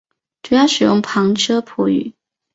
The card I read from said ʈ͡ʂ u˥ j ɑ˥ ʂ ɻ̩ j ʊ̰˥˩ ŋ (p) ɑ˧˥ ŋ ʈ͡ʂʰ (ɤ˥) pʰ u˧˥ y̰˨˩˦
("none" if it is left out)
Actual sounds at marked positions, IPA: pʰ, ɤ˥

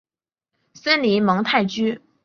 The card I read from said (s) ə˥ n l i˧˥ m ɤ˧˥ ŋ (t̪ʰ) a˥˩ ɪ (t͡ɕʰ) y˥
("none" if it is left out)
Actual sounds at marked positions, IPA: s, t̪ʰ, t͡ɕ

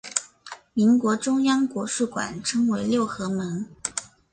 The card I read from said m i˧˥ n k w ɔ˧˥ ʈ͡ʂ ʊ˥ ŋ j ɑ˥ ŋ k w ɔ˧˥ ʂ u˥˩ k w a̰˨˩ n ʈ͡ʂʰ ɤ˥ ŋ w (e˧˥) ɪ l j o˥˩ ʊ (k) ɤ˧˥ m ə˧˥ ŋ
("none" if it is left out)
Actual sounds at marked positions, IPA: e˧˥, x

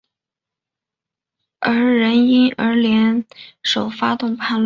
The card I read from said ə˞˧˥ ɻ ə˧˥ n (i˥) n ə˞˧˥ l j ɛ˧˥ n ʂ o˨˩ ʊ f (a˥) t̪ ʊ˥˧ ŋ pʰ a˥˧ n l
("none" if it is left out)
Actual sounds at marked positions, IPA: i˥, a˥

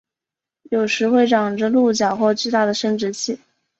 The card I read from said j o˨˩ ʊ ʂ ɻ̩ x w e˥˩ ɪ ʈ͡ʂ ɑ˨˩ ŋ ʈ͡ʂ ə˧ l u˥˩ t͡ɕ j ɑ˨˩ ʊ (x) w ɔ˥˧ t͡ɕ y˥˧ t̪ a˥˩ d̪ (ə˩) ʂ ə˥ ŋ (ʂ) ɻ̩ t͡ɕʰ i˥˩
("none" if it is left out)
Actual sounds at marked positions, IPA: x, ə˩, ʈ͡ʂ

